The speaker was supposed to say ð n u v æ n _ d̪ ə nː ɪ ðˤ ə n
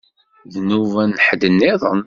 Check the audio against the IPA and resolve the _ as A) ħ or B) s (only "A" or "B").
A